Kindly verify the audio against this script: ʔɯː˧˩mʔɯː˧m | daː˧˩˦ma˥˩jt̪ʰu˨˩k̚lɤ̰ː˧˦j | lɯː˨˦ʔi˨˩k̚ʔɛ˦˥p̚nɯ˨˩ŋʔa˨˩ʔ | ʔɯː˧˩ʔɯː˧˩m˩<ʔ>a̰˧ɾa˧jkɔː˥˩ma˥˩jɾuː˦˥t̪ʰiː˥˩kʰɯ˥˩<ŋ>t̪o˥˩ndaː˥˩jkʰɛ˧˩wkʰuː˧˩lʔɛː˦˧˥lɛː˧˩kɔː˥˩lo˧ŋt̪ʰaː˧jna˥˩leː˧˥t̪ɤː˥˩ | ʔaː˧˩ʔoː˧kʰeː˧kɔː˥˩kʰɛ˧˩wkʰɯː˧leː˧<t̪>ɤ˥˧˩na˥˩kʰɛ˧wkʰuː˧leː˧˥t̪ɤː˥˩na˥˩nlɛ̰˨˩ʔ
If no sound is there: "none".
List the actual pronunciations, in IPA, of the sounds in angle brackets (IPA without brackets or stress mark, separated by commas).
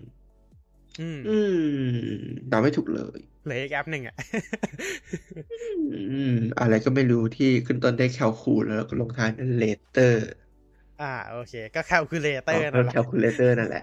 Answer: ʔ, n, t̪